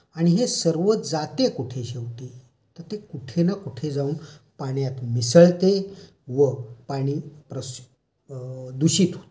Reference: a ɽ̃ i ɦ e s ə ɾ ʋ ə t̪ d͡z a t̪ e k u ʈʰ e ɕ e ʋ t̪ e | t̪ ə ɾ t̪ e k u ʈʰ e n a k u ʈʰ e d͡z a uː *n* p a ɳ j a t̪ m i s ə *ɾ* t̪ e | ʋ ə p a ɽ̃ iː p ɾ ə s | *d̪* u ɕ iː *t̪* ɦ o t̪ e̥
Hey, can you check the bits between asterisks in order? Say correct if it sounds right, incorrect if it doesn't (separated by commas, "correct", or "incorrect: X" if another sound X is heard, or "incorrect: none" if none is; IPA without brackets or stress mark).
correct, incorrect: ɭ, correct, correct